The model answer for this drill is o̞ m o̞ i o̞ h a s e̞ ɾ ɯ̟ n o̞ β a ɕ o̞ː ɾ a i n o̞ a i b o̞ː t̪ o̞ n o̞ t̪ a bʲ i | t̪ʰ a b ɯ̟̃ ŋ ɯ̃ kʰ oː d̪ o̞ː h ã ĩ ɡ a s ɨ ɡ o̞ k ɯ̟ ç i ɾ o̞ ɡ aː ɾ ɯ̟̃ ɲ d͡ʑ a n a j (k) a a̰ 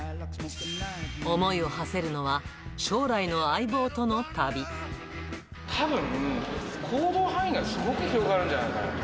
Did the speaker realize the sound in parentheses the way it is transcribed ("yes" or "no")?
yes